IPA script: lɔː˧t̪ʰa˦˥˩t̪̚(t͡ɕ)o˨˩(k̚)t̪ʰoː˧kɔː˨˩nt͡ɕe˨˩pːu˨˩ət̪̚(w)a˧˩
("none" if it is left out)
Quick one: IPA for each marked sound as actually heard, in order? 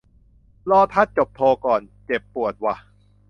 t͡ɕ, p̚, w

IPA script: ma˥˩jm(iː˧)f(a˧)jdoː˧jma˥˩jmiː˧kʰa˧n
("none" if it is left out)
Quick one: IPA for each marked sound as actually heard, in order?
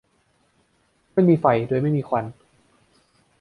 iː˧, a˨˩

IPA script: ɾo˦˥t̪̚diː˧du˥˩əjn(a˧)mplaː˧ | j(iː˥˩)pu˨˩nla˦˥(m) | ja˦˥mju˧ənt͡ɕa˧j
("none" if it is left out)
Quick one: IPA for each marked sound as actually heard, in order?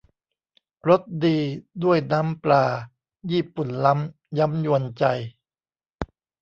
a˦˥, iː˥˩, m

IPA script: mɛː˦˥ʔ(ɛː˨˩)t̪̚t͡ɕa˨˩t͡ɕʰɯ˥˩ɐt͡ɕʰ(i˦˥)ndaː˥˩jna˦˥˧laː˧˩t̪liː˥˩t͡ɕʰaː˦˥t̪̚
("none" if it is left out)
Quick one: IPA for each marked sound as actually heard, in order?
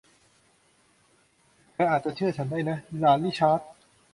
aː˨˩, a˦˥

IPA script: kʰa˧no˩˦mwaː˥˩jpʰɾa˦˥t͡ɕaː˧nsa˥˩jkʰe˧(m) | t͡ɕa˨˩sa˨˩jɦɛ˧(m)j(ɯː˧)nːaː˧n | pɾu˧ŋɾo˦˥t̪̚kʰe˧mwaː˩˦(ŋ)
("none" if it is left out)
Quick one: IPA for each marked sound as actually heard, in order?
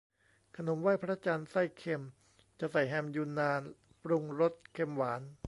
m, m, uː˧, n

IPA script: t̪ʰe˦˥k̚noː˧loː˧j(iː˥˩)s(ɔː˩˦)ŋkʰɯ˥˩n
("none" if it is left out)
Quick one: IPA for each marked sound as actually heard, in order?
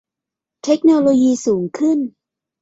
iː˧, uː˩˦

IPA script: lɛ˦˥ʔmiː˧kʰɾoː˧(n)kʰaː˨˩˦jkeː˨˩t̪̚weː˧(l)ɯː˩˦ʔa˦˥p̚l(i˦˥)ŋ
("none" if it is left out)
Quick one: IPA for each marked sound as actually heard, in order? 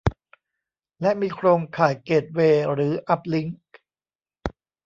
ŋ, ɾ, i˦˥

